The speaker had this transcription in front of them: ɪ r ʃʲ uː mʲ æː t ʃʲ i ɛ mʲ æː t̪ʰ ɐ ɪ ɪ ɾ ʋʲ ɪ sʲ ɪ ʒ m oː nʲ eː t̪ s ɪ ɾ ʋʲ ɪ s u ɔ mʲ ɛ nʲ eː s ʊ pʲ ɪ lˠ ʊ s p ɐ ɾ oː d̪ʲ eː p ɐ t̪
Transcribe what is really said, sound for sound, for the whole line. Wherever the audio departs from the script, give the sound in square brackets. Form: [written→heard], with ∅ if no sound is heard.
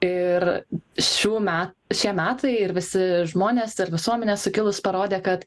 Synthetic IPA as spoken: ɪ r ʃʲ uː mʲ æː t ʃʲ i ɛ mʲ æː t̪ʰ ɐ ɪ ɪ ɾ ʋʲ ɪ sʲ ɪ ʒ m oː nʲ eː [t̪→∅] s ɪ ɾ ʋʲ ɪ s u ɔ mʲ ɛ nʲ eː s ʊ [pʲ→kʲ] ɪ lˠ ʊ s p ɐ ɾ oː d̪ʲ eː [p→k] ɐ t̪

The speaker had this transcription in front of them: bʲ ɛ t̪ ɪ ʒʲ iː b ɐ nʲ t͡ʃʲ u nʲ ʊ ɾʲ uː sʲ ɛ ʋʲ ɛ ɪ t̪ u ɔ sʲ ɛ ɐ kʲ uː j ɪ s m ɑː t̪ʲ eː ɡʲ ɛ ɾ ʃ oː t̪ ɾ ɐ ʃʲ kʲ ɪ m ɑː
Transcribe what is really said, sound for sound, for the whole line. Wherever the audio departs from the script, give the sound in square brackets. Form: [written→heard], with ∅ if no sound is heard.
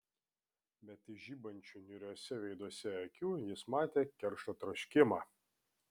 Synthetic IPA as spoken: bʲ ɛ t̪ ɪ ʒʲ iː b ɐ nʲ t͡ʃʲ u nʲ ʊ ɾʲ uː sʲ ɛ ʋʲ ɛ ɪ [t̪→d̪] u ɔ sʲ ɛ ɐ kʲ uː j ɪ s m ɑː t̪ʲ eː [ɡʲ→kʲ] ɛ ɾ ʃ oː t̪ ɾ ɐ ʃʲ kʲ ɪ m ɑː

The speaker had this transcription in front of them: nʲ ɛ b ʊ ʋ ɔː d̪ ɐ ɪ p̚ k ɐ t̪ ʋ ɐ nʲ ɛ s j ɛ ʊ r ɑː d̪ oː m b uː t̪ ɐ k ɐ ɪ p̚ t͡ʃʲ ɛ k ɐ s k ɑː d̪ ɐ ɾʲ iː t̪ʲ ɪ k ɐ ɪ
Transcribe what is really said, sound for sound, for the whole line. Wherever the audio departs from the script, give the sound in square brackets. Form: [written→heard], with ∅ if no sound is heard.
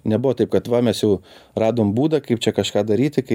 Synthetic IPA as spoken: nʲ ɛ b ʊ ʋ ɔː [d̪→t̪] ɐ ɪ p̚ k ɐ t̪ ʋ ɐ [nʲ→mʲ] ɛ s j ɛ ʊ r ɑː d̪ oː m b uː [t̪→d̪] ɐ k ɐ ɪ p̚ t͡ʃʲ ɛ k ɐ [s→ʃ] k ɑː d̪ ɐ ɾʲ iː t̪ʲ ɪ k ɐ ɪ

